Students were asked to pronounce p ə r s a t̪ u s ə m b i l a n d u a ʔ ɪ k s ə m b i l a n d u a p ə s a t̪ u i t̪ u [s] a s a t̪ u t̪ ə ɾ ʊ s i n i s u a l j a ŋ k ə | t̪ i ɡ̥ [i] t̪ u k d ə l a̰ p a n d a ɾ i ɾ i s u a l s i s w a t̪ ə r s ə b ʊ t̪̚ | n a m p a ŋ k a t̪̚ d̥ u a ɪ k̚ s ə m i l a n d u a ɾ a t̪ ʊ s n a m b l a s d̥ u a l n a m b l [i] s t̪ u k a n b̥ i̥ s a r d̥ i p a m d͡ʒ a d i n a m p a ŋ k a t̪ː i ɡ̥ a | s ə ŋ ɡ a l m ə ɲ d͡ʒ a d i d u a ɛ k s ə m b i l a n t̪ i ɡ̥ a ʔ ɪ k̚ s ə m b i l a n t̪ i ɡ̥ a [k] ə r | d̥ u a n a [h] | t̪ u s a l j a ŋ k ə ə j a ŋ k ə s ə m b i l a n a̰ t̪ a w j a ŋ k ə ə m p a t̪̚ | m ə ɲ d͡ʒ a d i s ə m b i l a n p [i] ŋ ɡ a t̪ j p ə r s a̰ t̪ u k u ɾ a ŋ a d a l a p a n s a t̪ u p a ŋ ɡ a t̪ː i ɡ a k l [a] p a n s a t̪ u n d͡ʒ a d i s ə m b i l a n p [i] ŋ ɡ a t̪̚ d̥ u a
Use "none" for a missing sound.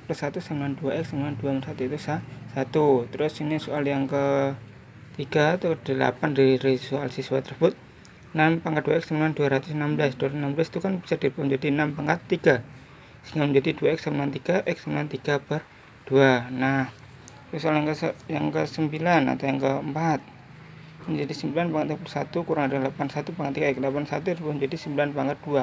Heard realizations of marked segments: s, a, a, p, h, a, a, a

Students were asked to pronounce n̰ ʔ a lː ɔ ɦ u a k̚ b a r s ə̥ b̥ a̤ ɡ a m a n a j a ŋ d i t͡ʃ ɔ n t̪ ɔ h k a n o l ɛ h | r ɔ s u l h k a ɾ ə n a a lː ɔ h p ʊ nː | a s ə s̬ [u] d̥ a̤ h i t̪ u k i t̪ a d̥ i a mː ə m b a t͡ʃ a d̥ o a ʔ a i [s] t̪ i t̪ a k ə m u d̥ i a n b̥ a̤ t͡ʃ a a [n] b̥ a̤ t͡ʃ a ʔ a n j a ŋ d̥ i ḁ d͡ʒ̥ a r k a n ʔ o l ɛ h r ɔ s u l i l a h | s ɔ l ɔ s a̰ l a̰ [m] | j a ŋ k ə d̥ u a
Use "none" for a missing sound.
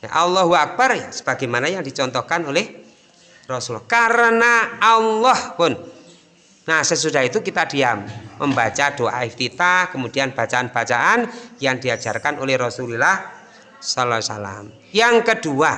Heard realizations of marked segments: u, f, n, m

